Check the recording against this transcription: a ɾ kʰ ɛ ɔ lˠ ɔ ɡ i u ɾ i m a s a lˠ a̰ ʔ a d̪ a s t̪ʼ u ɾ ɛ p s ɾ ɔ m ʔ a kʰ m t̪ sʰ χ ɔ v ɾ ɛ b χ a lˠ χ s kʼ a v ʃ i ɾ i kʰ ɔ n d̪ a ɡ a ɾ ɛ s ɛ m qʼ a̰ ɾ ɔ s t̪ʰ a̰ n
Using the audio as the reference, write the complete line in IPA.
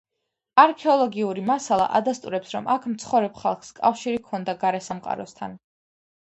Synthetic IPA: a ɾ kʰ ɛ ɔ lˠ ɔ ɡ i u ɾ i m a s a lˠ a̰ ʔ a d̪ a s t̪ʼ u ɾ ɛ p s ɾ ɔ m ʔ a kʰ m t̪ sʰ χ ɔ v ɾ ɛ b χ a lˠ χ s kʼ a f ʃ i ɾ i kʰ ɔ n d̪ a ɡ a ɾ ɛ s a m qʼ a̰ ɾ ɔ s t̪ʰ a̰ n